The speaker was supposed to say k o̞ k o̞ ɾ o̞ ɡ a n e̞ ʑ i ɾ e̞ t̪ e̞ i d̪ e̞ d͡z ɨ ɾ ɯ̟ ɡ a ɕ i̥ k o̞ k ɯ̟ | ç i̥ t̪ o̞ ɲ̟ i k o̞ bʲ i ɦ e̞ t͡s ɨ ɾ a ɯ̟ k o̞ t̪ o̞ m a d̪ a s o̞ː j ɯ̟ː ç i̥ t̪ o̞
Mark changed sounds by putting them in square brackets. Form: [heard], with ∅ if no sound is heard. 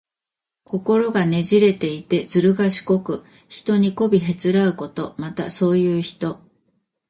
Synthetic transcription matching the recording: k o̞ k o̞ ɾ o̞ ɡ a n e̞ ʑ i ɾ e̞ t̪ e̞ i [t̪] e̞ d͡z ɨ ɾ ɯ̟ ɡ a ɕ i̥ k o̞ k ɯ̟ | ç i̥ t̪ o̞ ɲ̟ i k o̞ bʲ i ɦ e̞ t͡s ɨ ɾ a ɯ̟ k o̞ t̪ o̞ m a [t̪] a s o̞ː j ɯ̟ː ç i̥ t̪ o̞